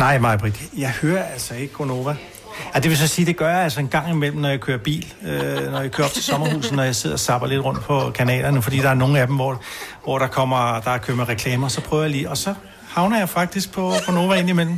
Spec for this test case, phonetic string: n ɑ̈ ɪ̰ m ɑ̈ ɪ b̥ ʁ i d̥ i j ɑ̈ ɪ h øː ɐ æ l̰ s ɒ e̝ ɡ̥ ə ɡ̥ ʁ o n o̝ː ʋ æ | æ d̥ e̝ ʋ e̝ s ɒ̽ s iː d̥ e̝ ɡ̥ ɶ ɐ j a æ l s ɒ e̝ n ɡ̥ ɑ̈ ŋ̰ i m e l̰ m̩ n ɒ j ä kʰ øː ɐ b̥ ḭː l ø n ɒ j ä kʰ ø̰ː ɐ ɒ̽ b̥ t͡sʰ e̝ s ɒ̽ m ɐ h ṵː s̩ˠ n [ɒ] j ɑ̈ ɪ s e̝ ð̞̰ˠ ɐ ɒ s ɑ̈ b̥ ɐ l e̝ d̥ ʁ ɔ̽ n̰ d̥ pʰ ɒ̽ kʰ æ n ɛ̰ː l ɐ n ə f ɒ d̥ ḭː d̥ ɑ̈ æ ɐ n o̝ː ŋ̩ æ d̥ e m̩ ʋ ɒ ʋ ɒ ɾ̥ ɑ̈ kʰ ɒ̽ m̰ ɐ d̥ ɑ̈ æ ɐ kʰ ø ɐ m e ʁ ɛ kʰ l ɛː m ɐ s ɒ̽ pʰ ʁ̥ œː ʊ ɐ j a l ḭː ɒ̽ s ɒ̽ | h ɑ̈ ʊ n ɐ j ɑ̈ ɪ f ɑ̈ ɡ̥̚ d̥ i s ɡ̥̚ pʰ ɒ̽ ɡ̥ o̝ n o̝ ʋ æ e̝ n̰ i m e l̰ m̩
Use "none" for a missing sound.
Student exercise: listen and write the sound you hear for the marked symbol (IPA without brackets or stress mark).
ɒ